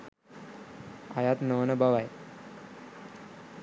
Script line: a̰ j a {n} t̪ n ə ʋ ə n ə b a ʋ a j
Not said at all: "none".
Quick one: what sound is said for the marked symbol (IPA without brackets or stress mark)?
none